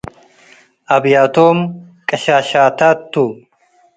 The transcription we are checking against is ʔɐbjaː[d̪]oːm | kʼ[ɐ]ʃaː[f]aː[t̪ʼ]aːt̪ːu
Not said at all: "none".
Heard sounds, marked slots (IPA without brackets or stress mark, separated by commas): t̪, ɐ, ʃ, t̪